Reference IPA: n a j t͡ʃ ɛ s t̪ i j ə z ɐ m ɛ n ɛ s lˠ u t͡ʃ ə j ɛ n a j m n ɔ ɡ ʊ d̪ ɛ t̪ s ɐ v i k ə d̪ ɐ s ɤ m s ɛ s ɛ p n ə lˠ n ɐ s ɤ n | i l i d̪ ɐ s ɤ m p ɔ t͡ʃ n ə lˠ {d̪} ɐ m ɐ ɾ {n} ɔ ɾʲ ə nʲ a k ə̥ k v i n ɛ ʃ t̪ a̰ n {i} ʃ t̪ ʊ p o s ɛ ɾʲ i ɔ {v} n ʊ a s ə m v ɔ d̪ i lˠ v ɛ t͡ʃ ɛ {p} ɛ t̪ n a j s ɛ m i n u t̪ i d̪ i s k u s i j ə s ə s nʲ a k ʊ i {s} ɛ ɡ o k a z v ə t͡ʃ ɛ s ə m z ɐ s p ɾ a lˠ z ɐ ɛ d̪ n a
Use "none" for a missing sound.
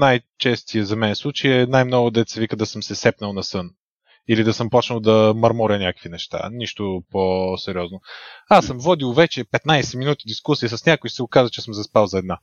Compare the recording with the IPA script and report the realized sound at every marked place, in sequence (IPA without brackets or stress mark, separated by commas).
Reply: d̪, m, i, z, p, s